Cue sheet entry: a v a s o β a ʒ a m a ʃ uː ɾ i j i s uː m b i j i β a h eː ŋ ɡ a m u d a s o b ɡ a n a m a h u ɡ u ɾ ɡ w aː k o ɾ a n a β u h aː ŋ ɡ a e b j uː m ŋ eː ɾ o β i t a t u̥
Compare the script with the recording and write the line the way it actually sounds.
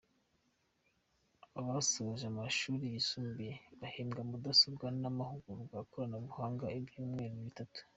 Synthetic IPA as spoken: a β a s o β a ʒ a m a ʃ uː ɾ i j i s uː m b i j e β a h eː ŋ ɡ a m u d a s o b ɡ a n a m a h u ɡ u ɾ ɡ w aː k o ɾ a n a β u h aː ŋ ɡ a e b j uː m ŋ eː ɾ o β i t a t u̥